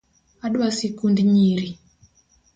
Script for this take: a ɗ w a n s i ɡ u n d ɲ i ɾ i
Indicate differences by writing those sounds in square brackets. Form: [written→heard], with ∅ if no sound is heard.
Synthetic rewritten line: a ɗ w a [n→∅] s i [ɡ→k] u n d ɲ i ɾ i

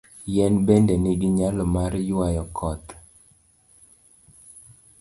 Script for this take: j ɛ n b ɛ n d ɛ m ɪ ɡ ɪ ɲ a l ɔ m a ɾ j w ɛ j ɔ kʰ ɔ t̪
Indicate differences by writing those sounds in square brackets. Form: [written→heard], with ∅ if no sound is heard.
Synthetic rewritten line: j ɛ n b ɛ n d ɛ [m→n] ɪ ɡ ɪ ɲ a l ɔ m a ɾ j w [ɛ→a] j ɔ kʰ ɔ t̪

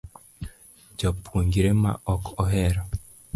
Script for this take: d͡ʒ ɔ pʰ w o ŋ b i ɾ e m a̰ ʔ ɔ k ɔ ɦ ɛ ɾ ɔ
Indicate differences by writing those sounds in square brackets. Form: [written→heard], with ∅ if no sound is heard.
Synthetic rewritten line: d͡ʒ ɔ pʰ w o ŋ [b→ɡ] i ɾ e m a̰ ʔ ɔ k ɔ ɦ ɛ ɾ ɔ

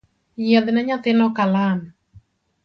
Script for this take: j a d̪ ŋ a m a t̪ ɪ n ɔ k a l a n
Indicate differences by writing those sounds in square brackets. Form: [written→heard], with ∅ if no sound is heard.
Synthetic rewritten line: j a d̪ [ŋ→n] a [m→ɲ] a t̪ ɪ n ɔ k a l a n

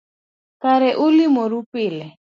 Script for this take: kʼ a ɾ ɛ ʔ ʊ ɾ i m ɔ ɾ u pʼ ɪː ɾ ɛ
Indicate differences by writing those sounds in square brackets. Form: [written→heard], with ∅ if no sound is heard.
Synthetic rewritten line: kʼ a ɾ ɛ ʔ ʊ [ɾ→l] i m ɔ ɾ u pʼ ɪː [ɾ→l] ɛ

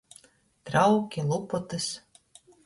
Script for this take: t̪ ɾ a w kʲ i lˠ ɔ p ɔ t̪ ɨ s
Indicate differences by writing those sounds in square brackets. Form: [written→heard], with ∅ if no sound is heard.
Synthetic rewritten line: t̪ ɾ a w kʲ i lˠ [ɔ→u] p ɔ t̪ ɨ s

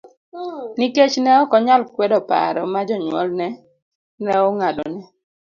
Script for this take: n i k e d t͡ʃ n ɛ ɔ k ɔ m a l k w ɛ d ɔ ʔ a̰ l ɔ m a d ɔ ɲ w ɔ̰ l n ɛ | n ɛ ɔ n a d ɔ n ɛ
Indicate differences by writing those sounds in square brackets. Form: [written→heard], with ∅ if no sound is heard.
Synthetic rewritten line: n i k e [d→∅] t͡ʃ n ɛ ɔ k ɔ [m→ɲ] a l k w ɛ d ɔ [ʔ→p] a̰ [l→ɾ] ɔ m a [d→d͡ʒ] ɔ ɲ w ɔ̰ l n ɛ | n ɛ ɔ [n→ŋ] a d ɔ n ɛ

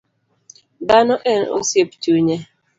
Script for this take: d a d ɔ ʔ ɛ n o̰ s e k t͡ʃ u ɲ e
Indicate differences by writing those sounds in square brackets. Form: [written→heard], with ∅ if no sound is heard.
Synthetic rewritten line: d a [d→n] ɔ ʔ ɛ n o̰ s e [k→p] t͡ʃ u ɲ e

